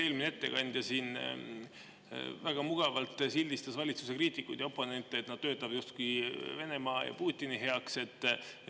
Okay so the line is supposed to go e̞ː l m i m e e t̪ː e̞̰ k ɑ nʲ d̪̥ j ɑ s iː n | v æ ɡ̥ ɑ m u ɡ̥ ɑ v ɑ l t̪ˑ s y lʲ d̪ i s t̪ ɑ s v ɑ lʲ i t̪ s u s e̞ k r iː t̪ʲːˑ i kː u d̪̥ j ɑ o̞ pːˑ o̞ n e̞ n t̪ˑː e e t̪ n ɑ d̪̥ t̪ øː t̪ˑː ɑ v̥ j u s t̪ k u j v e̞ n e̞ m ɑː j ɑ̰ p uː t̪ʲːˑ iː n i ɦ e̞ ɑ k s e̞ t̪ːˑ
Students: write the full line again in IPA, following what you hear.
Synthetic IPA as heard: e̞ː l m i n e e t̪ː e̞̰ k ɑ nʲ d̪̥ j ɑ s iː n | v æ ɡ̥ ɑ m u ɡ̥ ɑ v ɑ l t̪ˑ s i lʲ d̪ i s t̪ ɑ s v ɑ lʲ i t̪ s u s e̞ k r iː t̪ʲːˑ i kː u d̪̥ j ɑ o̞ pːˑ o̞ n e̞ n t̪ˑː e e t̪ n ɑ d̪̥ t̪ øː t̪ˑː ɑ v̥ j u s t̪ k u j v e̞ n e̞ m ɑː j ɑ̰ p uː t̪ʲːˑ i n i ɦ e̞ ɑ k s e̞ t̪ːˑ